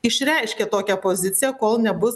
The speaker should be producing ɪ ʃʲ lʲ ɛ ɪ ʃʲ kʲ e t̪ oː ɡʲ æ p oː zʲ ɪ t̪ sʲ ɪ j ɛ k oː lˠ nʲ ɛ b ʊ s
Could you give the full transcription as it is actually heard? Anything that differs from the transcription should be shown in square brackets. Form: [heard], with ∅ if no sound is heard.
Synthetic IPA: ɪ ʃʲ [ɾʲ] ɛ ɪ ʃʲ kʲ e t̪ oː [kʲ] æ p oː zʲ ɪ t̪ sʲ ɪ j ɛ k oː lˠ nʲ ɛ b ʊ s